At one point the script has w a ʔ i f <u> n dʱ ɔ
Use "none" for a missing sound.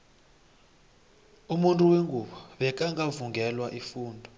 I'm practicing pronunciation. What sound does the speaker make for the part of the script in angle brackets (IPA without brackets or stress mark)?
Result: uː